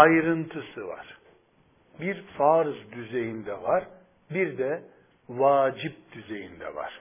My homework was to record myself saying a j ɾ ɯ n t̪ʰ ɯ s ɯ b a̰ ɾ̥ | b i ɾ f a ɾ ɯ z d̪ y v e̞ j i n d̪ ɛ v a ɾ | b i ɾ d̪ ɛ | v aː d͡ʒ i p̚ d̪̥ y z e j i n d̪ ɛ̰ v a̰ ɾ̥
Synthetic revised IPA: a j ɾ ɯ n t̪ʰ ɯ s ɯ v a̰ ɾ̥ | b i ɾ f a ɾ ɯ z d̪ y z e̞ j i n d̪ ɛ v a ɾ | b i ɾ d̪ ɛ | v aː d͡ʒ i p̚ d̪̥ y z e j i n d̪ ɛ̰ v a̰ ɾ̥